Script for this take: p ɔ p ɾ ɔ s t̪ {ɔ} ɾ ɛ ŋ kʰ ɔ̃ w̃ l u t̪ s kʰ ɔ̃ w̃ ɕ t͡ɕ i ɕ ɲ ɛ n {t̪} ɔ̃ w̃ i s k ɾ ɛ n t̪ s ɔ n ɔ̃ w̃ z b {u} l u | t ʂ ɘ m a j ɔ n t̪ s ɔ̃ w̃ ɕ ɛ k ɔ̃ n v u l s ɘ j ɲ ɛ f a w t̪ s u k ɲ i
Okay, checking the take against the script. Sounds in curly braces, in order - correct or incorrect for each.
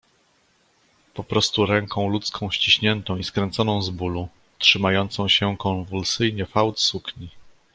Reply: incorrect, correct, correct

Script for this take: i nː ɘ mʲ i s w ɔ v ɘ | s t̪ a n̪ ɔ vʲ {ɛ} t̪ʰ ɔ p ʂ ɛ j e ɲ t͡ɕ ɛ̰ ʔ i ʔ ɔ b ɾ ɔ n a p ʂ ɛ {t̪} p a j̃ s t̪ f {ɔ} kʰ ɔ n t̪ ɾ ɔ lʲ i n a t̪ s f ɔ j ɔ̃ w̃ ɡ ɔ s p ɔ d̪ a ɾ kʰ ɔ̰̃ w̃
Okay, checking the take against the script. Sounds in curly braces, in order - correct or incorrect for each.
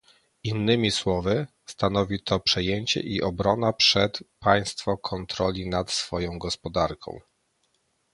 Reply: incorrect, correct, correct

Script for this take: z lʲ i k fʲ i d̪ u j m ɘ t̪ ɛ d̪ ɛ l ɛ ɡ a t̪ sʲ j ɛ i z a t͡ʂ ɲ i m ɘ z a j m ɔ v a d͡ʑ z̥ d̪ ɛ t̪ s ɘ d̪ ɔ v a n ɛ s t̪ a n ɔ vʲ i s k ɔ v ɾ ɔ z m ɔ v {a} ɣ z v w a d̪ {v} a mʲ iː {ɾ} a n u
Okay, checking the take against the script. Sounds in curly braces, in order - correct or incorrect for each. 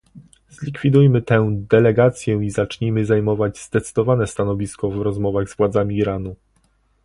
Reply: correct, incorrect, correct

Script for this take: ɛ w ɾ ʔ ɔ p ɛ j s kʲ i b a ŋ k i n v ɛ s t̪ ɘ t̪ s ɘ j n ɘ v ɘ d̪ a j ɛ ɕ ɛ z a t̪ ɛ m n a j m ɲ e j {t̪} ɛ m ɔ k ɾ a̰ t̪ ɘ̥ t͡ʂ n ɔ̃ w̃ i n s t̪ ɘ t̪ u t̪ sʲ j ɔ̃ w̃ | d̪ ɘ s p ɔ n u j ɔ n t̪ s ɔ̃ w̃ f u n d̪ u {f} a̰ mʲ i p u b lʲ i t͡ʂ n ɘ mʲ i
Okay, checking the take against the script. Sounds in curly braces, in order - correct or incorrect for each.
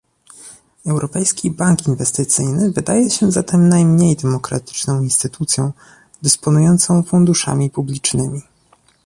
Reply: incorrect, incorrect

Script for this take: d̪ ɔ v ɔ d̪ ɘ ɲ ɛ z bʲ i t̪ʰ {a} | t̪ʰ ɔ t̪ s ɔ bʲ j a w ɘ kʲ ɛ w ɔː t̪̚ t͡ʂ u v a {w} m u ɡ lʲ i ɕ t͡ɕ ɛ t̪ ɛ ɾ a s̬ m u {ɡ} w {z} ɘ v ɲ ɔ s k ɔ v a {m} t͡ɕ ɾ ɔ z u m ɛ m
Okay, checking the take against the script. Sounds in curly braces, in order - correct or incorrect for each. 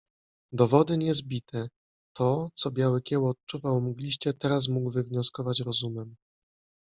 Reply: incorrect, correct, correct, incorrect, incorrect

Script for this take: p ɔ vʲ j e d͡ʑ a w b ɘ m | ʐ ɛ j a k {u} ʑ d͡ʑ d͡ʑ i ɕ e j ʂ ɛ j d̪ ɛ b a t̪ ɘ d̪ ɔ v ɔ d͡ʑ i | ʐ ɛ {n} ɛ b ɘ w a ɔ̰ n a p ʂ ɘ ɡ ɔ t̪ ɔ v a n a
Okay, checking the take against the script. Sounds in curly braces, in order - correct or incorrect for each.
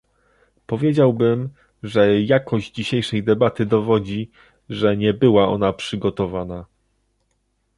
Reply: incorrect, incorrect

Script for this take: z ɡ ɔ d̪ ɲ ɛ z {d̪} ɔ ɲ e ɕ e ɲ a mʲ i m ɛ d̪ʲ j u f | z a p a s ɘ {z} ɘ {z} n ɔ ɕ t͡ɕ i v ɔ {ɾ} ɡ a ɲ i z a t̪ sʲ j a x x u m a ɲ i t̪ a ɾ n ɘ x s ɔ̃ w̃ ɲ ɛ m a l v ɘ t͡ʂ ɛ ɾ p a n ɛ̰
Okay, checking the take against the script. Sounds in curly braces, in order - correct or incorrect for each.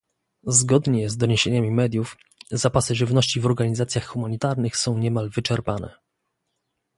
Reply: correct, incorrect, incorrect, correct

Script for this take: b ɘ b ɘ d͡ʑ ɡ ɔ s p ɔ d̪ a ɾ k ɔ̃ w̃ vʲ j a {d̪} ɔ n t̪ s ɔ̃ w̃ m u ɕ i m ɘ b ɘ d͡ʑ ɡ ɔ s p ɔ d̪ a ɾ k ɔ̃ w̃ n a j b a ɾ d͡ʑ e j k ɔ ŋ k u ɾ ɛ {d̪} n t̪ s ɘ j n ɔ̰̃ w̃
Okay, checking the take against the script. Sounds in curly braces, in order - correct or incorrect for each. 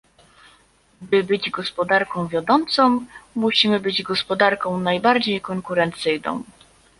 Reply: correct, incorrect

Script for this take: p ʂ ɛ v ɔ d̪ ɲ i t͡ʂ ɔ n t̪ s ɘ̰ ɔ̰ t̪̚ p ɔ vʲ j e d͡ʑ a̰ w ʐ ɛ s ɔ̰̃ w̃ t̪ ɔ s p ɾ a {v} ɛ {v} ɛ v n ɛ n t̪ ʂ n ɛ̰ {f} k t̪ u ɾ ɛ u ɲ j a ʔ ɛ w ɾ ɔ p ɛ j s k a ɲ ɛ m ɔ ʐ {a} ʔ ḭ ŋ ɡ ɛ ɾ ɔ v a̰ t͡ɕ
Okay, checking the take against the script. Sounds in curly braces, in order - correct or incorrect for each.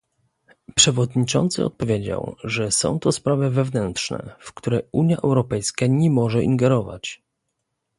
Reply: correct, correct, correct, incorrect

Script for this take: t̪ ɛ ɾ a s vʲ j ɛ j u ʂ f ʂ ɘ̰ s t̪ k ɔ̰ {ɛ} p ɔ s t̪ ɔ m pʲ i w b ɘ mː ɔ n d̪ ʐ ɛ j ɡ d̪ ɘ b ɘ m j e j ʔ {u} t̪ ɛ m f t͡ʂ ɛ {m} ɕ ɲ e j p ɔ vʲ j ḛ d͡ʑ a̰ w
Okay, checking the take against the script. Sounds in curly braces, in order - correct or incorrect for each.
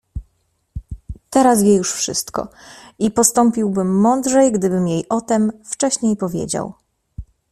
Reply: incorrect, incorrect, incorrect

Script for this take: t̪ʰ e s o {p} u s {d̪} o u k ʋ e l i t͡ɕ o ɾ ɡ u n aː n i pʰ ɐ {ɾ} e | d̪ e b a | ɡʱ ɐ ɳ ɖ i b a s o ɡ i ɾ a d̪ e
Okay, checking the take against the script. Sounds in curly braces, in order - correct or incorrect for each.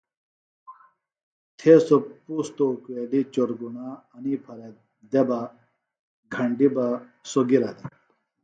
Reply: correct, incorrect, correct

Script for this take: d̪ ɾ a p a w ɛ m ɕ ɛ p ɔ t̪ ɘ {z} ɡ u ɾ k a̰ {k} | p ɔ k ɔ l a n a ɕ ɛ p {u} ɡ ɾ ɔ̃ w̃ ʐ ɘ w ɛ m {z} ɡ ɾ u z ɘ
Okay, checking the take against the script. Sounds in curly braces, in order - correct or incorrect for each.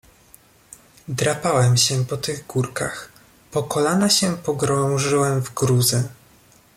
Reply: incorrect, incorrect, incorrect, incorrect

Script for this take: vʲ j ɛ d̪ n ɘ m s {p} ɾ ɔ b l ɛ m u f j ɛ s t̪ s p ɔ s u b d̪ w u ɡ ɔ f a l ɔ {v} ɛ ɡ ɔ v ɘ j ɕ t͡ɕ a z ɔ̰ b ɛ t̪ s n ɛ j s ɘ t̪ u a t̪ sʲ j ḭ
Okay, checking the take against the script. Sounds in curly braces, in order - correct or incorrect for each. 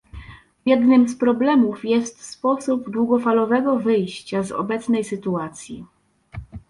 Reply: correct, correct

